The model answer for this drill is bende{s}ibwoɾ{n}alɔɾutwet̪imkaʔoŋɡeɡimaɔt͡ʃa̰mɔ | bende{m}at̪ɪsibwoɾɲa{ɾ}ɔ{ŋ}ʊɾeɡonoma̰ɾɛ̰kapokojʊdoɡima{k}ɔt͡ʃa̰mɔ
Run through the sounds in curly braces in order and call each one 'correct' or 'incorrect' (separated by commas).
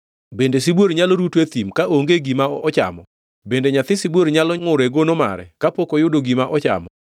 correct, incorrect, incorrect, incorrect, correct, incorrect